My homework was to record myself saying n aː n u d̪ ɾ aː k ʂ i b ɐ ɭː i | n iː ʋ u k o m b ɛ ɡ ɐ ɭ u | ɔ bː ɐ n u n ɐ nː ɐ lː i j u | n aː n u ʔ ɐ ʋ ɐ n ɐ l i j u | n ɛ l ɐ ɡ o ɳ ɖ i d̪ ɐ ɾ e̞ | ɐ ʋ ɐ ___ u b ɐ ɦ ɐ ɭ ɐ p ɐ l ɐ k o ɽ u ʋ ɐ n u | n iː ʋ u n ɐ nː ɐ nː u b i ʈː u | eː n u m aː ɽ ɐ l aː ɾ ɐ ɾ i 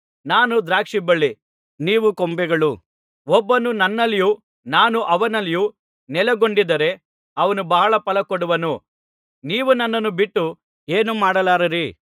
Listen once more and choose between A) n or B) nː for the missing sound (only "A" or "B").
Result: A